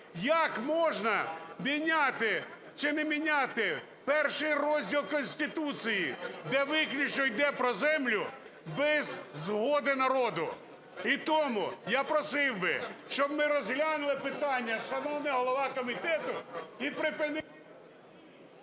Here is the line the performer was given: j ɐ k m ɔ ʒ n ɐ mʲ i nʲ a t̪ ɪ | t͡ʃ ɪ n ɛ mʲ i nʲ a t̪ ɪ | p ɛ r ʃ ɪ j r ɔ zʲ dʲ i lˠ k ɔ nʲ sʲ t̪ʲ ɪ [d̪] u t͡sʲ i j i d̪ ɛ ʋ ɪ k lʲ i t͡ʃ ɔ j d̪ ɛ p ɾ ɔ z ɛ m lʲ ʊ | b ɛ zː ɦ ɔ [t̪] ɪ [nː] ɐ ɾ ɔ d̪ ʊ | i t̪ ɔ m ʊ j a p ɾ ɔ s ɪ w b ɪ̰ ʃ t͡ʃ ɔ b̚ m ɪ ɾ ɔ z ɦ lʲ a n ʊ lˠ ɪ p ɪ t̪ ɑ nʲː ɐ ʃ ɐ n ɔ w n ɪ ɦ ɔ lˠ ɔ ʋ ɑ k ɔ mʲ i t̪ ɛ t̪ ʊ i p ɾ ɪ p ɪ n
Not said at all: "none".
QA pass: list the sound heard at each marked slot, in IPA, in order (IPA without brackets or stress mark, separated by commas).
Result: t̪, d̪, n